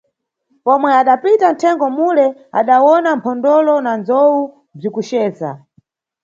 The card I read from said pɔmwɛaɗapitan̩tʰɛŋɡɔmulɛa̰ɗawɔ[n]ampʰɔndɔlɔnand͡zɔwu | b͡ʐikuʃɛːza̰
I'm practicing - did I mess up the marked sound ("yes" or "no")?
no